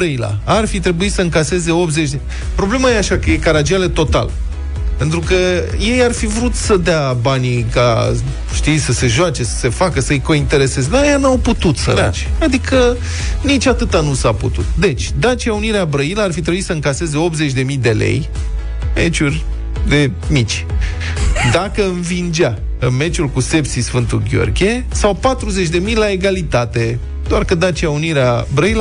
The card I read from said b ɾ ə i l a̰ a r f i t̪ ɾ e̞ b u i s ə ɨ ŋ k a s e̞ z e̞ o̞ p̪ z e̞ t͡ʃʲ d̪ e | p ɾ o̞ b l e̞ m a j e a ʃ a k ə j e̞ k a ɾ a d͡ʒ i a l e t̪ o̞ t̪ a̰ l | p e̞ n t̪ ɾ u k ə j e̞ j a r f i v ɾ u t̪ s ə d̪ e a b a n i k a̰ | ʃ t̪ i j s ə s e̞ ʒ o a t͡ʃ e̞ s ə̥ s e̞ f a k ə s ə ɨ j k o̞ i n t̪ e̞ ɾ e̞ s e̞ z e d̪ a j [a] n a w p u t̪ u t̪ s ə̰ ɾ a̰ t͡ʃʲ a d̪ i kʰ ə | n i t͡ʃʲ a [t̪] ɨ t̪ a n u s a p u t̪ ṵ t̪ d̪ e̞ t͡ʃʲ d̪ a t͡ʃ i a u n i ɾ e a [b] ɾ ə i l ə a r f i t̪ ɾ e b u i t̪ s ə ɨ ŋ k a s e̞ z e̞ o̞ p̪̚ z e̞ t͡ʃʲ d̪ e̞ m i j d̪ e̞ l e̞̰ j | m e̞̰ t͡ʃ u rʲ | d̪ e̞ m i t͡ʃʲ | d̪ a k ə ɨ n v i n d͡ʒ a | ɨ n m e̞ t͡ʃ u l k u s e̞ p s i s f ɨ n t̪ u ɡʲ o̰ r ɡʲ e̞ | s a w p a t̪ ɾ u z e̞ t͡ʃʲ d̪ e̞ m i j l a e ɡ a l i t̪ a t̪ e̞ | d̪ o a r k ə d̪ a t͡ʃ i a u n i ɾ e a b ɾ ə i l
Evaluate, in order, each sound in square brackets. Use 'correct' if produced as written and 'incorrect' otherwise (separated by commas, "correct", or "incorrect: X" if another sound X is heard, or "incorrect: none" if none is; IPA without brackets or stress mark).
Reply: correct, correct, correct